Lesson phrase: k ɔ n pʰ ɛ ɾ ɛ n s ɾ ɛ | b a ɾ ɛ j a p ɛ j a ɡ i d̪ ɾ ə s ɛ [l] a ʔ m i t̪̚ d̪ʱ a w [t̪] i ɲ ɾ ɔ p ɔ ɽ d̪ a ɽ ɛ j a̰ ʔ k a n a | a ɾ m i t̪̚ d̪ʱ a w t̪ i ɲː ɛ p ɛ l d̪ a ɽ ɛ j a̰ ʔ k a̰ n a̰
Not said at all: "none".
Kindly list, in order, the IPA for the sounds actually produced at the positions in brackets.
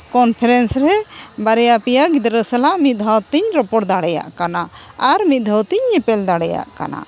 l, t̪

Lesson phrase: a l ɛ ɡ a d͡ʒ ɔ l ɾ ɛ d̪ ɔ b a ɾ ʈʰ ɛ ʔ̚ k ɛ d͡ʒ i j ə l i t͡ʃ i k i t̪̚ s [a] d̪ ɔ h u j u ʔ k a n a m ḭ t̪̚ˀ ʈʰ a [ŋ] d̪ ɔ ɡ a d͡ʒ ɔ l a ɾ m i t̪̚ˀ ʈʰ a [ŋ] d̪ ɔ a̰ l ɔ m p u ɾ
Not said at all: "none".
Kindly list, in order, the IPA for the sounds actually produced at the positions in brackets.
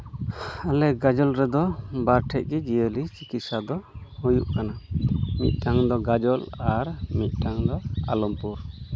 a, ŋ, ŋ

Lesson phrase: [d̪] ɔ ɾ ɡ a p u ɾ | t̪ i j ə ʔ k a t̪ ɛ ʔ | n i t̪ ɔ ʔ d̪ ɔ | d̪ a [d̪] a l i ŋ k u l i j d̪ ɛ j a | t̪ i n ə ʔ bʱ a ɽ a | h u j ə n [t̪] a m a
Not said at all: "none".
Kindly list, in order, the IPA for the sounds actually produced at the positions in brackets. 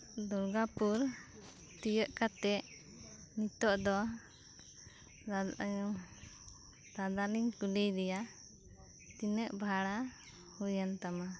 d̪, d̪, t̪

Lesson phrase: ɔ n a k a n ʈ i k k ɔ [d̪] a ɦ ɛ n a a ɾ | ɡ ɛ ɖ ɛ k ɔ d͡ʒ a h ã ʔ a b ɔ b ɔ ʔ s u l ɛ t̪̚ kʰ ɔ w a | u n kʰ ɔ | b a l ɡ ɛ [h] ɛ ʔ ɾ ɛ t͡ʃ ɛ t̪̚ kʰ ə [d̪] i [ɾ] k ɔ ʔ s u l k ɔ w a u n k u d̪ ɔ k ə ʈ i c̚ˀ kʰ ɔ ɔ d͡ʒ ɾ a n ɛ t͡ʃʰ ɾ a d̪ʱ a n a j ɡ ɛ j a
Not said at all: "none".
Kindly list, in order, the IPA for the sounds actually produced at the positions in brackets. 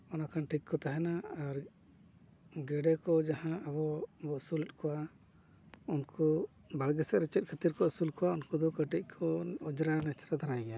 t̪, s, t̪, ɾ

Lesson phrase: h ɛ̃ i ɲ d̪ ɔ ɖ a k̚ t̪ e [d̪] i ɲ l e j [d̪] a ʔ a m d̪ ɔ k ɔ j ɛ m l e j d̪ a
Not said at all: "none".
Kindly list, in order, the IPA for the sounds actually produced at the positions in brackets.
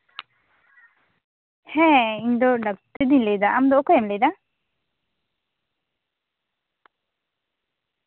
d̪, d̪

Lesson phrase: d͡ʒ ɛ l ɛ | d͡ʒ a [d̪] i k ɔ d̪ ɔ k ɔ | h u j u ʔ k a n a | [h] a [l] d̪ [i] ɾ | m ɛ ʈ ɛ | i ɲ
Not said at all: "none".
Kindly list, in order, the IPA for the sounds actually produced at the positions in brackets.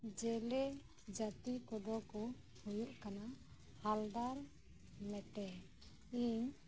t̪, h, l, a

